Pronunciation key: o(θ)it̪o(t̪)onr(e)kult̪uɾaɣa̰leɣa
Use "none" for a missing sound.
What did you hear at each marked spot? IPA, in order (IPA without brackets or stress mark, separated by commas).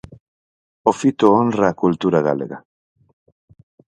f, none, a